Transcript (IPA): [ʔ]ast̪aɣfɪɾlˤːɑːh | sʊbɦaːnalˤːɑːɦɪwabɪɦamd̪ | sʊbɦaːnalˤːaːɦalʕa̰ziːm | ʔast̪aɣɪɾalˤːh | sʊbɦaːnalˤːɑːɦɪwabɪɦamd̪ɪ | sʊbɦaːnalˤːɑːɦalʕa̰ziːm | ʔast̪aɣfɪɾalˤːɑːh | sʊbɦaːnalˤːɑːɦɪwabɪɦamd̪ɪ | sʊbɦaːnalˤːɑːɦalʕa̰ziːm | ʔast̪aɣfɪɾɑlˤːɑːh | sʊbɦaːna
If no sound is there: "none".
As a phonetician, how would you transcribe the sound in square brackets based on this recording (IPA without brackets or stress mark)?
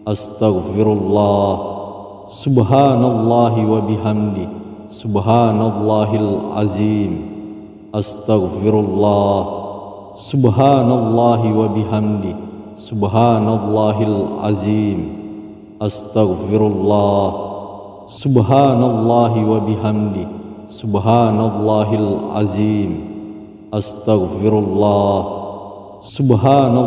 ʔ